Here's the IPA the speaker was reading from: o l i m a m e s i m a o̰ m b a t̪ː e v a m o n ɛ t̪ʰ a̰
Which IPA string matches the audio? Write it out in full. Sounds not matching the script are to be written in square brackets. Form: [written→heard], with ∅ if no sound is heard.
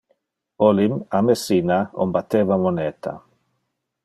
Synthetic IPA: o l i m a m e s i [m→n] a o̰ m b a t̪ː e v a m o n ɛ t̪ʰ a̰